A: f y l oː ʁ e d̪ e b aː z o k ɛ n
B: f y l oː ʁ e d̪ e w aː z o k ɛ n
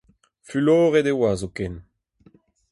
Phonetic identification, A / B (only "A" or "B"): B